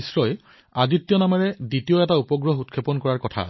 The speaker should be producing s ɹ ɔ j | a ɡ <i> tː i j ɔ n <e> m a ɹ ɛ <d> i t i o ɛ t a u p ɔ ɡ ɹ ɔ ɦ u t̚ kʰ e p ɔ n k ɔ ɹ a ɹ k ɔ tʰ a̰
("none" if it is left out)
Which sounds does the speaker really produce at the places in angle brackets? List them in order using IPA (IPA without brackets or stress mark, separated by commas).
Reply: i, a, d